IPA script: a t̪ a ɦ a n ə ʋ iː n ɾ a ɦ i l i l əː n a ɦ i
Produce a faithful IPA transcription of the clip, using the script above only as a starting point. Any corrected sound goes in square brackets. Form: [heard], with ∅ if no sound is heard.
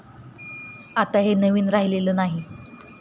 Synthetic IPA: a t̪ a ɦ [e] n ə ʋ iː n ɾ a ɦ i l [e] l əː n a ɦ i

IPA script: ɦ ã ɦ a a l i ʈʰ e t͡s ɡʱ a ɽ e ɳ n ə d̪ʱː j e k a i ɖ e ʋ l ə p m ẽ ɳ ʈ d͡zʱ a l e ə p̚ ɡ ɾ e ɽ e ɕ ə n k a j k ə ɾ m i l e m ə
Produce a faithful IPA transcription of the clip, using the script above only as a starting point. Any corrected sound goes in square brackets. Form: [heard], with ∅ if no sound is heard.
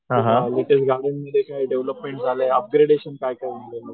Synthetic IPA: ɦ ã ɦ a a l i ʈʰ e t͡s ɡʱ a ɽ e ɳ [m] ə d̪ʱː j e k a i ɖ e ʋ l ə p m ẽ ɳ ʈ d͡zʱ a l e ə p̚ ɡ ɾ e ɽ e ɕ ə n k a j k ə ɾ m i l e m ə

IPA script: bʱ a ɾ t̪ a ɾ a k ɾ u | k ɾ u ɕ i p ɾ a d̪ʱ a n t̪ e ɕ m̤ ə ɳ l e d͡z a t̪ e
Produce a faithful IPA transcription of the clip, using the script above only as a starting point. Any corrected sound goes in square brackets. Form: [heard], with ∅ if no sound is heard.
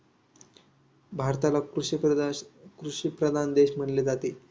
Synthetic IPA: bʱ a ɾ t̪ a [l] a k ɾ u | k ɾ u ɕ i p ɾ [ə] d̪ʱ a n [d̪] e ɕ m̤ ə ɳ l e d͡z a t̪ e

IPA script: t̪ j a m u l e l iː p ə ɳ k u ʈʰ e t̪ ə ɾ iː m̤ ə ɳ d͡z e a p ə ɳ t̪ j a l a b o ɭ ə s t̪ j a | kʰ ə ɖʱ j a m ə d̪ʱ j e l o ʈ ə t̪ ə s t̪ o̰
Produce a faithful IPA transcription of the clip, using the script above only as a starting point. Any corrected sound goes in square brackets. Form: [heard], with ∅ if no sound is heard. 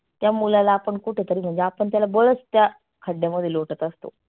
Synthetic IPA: t̪ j a m u l [a] l [aː] p ə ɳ k u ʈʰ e t̪ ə ɾ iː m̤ ə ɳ d͡z e a p ə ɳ t̪ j a l a b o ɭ ə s t̪ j a | kʰ ə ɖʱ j a m ə d̪ʱ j e l o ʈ ə t̪ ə s t̪ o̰

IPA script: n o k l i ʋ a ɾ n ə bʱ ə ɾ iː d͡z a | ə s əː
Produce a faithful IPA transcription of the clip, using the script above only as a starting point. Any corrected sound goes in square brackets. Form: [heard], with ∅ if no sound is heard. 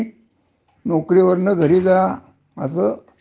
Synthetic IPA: n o k [ɾ] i ʋ [ə] ɾ n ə [ɡʱ] ə ɾ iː d͡z a | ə s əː

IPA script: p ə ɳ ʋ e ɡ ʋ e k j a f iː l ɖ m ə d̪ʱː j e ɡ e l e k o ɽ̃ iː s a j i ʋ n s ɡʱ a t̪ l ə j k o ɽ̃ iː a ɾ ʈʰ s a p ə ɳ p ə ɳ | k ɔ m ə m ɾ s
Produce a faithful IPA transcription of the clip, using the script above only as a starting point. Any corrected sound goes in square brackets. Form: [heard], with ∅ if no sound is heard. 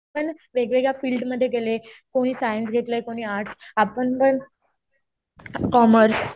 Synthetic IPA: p ə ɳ ʋ e ɡ ʋ e [ɡ] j a f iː l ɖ m ə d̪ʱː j e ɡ e l e k o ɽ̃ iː s a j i [∅] n s ɡʱ [e] t̪ l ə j k o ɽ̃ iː a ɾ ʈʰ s a p ə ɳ p ə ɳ | k ɔ m ə [∅] ɾ s

